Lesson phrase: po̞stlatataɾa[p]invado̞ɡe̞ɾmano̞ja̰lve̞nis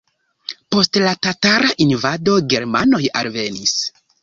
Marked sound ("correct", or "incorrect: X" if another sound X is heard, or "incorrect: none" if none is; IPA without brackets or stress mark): incorrect: ʔ